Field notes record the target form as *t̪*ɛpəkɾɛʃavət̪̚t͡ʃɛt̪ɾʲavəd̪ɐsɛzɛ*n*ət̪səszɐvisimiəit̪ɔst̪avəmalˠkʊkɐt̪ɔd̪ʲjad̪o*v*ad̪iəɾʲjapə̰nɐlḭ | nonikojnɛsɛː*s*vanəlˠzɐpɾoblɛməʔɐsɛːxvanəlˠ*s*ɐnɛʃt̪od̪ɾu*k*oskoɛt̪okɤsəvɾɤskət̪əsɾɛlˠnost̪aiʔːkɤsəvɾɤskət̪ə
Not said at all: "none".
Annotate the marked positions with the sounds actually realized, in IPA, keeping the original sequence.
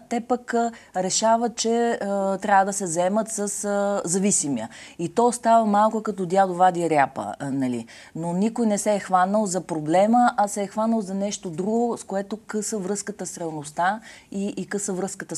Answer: t̪, m, v, x, z, ɡ

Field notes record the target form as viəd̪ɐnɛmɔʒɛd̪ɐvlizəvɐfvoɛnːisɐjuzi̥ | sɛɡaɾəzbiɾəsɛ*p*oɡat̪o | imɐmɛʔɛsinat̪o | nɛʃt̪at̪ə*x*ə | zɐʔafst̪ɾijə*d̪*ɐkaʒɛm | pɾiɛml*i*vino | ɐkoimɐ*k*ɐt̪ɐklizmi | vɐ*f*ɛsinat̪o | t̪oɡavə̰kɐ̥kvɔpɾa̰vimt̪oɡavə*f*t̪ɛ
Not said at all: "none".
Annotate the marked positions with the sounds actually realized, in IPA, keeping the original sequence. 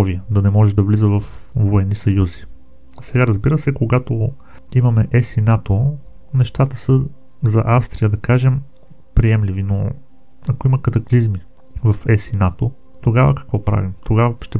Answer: k, s, d̪, i, k, f, ʃ

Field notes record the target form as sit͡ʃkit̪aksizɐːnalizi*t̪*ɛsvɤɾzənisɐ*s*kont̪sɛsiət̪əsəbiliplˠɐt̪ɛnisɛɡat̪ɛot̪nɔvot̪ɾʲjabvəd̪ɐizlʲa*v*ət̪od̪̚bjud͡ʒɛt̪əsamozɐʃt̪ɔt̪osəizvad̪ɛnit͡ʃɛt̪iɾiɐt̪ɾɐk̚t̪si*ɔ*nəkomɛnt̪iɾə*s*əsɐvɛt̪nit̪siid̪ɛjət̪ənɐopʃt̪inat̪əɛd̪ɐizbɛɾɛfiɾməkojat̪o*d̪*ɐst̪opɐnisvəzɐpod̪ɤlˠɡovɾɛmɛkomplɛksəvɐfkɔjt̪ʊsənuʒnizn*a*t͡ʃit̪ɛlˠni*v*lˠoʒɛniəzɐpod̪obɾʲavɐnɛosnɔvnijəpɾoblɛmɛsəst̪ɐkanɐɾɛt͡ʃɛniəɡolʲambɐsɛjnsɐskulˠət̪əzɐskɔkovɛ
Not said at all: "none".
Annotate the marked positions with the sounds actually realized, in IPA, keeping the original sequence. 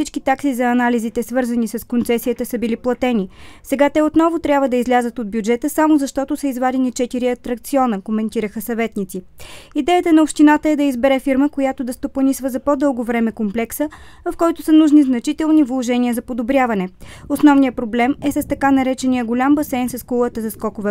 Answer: t̪, s, z, ɔ, x, d̪, ɐ, v

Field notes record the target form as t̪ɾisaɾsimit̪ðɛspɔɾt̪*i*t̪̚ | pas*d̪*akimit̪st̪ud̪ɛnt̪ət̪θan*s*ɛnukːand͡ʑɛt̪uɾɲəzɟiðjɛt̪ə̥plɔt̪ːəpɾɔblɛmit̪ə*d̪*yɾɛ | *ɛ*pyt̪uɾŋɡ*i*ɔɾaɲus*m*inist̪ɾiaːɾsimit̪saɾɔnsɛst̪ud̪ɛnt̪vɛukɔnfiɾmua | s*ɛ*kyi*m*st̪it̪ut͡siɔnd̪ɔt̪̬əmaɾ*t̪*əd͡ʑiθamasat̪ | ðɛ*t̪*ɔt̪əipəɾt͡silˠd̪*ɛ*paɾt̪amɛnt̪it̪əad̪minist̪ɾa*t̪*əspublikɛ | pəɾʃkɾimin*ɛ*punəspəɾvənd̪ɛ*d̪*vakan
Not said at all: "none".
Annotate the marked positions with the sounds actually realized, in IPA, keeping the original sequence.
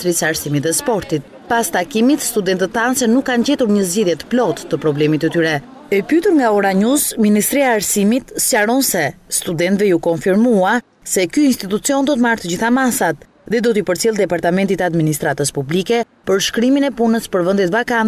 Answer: i, t̪, s, t̪, ɛ, a, m, ɛ, n, t̪, d̪, ɛ, t̪, ɛ, t̪

